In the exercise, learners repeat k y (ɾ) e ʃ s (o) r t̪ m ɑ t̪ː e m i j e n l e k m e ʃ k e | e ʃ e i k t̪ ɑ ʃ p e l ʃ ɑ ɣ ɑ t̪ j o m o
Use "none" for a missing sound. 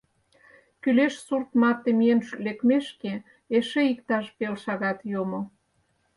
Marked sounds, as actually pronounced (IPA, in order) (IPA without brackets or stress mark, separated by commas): l, u